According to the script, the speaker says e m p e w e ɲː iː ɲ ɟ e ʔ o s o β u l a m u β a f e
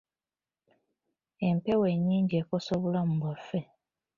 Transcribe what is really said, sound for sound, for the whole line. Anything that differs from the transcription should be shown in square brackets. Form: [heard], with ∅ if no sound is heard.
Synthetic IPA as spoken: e m p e w e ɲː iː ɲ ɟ e [k] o s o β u l a m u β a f e